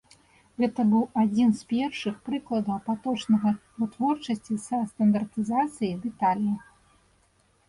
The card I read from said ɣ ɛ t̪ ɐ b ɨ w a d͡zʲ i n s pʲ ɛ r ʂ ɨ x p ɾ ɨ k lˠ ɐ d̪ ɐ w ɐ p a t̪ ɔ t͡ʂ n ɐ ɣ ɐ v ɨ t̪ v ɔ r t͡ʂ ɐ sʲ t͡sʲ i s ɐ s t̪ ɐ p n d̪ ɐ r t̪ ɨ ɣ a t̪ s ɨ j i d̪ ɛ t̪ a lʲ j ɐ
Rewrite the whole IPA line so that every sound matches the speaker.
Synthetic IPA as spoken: ɣ ɛ t̪ ɐ b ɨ w a d͡zʲ i n s pʲ ɛ r ʂ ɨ x p ɾ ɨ k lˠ ɐ d̪ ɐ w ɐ p a t̪ ɔ t͡ʂ n ɐ ɣ ɐ v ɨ t̪ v ɔ r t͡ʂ ɐ sʲ t͡sʲ i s ɐ s t̪ ɐ n d̪ ɐ r t̪ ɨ z a t̪ s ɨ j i d̪ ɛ t̪ a lʲ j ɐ